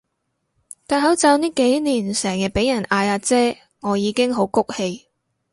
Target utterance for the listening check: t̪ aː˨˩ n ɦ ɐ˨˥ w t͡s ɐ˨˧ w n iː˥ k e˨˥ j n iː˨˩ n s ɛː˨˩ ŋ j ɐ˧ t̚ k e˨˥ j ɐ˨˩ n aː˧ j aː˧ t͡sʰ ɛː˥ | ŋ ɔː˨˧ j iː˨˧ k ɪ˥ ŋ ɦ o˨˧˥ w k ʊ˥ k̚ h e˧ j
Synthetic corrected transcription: t̪ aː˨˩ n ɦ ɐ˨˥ w t͡s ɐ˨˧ w n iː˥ k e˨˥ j n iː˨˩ n s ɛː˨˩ ŋ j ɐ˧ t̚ p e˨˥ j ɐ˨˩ n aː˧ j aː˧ t͡s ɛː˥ | ŋ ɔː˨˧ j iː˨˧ k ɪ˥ ŋ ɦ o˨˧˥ w k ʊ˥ k̚ h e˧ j